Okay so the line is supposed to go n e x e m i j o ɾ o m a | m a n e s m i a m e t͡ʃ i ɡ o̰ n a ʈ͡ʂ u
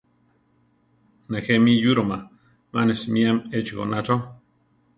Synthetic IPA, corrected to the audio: n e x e m i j u ɾ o m a | m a n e s m i a m e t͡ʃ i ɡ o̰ n a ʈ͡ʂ o